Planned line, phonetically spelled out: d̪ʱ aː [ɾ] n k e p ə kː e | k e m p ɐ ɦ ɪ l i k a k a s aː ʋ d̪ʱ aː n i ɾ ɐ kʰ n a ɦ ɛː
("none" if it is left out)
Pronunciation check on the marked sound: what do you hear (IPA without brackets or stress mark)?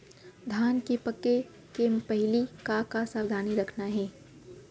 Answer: none